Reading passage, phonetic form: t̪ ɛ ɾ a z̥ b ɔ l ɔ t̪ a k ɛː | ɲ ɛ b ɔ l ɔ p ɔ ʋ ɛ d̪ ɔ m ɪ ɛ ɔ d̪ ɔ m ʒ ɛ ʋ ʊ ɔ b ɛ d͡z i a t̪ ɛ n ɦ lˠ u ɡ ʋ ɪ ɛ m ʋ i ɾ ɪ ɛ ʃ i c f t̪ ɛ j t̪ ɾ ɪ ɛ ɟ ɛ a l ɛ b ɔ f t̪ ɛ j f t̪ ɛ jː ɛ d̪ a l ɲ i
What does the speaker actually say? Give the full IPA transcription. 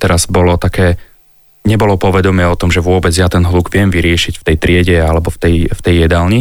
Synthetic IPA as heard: t̪ ɛ ɾ a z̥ b ɔ l ɔ t̪ a k ɛː | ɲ ɛ b ɔ l ɔ p ɔ ʋ ɛ d̪ ɔ m ɪ ɛ ɔ t̪ ɔ m ʒ ɛ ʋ ʊ ɔ b ɛ d͡z j a t̪ ɛ n ɦ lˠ u ɡ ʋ ɪ ɛ m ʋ i ɾ ɪ ɛ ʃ i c f t̪ ɛ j t̪ ɾ ɪ ɛ ɟ ɛ a l ɛ b ɔ f t̪ ɛ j f t̪ ɛ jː ɛ d̪ a l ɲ i